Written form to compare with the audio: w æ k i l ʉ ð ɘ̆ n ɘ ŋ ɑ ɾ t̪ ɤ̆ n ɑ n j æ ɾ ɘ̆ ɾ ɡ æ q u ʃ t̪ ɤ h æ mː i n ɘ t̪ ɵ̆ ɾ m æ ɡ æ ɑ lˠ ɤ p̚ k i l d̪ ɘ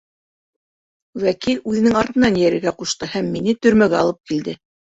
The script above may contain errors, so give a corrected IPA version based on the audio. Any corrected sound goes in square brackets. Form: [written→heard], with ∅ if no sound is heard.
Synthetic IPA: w æ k i l ʉ ð ɘ̆ n ɘ ŋ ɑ ɾ t̪ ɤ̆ n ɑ n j æ ɾ ɘ̆ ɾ ɡ æ q u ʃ t̪ ɤ h æ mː i n ɘ t̪ ɵ̆ ɾ m æ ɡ æ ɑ lˠ ɤ p̚ k i l d̪ ɘ